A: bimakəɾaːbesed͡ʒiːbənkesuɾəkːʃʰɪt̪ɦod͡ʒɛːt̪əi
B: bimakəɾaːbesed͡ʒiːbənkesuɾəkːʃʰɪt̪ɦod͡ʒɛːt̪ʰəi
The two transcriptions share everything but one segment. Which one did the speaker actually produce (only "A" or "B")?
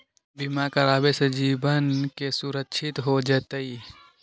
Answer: A